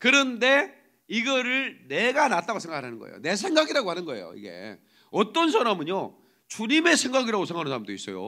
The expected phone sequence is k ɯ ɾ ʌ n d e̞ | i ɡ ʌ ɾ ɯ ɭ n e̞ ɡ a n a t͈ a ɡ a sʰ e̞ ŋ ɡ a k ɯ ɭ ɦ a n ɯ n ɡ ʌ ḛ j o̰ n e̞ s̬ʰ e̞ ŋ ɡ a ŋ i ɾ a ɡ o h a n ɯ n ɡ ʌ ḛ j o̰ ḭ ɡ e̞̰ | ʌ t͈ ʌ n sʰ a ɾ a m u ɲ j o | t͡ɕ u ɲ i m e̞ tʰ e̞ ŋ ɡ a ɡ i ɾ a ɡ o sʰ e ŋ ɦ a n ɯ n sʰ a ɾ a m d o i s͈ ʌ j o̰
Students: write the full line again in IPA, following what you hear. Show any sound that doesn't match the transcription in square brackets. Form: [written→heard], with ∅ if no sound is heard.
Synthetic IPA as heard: k ɯ ɾ ʌ n d e̞ | i ɡ ʌ ɾ ɯ ɭ n e̞ ɡ a n a t͈ a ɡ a sʰ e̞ ŋ ɡ a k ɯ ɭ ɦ a n ɯ n ɡ ʌ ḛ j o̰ n e̞ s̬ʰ e̞ ŋ ɡ a [ŋ→ɡ] i ɾ a ɡ o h a n ɯ n ɡ ʌ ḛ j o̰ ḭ ɡ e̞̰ | ʌ t͈ ʌ n sʰ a ɾ a m [u→ɯ] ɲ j o | t͡ɕ u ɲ i m e̞ [tʰ→sʰ] e̞ ŋ ɡ a ɡ i ɾ a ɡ o sʰ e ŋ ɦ a n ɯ n sʰ a ɾ a m d o i s͈ ʌ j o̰